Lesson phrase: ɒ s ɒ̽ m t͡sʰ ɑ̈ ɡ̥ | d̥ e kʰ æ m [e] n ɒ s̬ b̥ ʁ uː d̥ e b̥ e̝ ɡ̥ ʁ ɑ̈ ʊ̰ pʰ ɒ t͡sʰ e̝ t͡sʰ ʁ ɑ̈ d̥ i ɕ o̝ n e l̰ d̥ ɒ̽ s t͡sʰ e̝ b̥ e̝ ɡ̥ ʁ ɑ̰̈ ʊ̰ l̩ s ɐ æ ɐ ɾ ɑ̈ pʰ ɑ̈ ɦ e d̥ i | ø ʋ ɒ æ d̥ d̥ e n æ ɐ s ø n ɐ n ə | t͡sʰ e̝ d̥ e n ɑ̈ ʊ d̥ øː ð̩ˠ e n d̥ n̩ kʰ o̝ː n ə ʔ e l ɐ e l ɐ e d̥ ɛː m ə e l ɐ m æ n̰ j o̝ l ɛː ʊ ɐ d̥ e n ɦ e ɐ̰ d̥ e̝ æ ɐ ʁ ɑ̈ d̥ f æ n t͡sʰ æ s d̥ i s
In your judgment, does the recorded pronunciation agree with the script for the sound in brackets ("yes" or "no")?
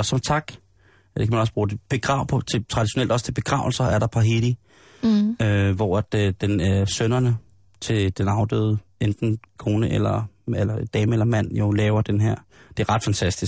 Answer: no